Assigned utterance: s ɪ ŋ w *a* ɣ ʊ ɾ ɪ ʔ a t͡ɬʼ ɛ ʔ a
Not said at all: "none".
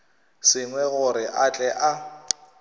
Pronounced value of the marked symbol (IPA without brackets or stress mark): ɛ